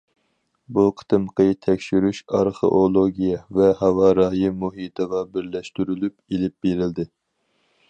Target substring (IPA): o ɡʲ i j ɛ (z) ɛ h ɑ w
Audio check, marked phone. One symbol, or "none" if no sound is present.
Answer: v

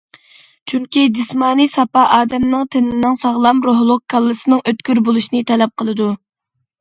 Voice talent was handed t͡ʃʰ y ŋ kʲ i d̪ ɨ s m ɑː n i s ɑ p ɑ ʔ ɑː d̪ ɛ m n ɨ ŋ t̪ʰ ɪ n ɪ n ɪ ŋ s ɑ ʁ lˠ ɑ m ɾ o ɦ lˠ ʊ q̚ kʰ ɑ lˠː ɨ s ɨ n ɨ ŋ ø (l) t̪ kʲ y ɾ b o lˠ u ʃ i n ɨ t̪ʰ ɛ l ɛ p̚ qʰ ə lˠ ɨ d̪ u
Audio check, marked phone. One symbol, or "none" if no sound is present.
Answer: none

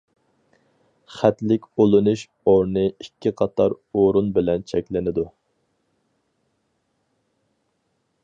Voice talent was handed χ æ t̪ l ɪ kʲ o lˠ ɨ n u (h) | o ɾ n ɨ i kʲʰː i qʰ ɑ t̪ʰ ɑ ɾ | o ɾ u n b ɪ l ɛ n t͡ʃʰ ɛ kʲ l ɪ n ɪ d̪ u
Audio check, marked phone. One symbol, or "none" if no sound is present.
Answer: ʃ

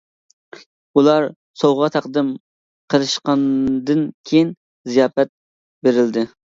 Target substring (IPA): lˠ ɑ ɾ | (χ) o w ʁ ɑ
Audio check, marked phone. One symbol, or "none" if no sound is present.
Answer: s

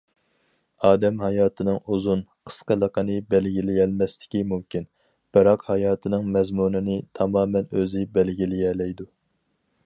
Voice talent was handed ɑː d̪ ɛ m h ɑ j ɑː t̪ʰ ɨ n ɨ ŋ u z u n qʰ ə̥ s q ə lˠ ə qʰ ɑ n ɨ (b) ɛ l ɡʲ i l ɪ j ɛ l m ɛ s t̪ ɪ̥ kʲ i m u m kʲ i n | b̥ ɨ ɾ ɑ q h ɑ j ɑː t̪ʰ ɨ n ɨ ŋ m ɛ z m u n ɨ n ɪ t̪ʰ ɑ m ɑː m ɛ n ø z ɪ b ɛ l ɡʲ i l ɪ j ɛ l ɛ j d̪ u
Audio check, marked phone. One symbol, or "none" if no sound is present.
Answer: b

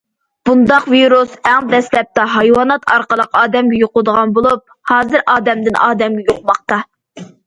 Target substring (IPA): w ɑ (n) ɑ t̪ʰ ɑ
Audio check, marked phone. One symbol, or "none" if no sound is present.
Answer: n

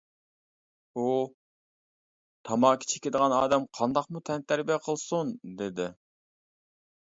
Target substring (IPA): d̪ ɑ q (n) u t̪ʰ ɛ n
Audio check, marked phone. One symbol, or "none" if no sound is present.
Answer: m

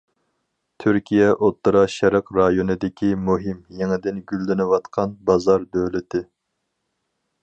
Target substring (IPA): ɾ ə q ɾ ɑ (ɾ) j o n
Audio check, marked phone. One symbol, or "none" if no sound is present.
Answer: none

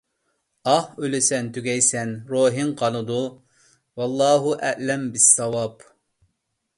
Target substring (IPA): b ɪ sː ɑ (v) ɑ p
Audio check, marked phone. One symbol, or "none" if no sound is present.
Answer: w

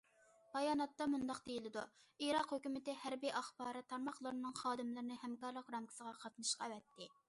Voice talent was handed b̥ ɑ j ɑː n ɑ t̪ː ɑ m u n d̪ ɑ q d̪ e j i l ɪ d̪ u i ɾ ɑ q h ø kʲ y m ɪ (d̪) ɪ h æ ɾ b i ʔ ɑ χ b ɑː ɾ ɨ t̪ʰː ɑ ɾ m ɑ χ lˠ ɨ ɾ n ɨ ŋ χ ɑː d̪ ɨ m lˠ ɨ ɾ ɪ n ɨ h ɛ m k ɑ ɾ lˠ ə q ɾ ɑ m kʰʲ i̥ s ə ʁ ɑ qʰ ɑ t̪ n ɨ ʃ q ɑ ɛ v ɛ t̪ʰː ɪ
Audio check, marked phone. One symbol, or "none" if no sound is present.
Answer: t̪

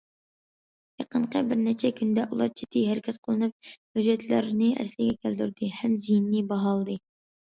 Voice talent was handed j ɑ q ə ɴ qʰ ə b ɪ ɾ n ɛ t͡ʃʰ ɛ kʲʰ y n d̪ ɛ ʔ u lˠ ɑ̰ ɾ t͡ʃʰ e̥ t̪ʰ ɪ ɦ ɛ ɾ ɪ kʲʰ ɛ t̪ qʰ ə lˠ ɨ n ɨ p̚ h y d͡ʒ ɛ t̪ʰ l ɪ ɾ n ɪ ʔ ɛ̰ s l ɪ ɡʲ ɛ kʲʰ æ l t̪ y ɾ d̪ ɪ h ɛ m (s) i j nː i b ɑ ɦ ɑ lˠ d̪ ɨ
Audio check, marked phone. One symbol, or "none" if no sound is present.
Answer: z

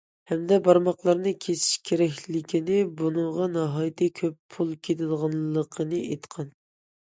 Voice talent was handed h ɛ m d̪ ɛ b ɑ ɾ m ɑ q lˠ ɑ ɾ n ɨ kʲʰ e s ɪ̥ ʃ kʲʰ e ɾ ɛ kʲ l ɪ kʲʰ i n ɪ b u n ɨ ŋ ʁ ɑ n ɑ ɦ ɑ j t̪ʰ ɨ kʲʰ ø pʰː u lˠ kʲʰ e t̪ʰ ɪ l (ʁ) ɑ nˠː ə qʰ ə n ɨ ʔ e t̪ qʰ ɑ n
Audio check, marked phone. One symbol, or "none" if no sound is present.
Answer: ʁ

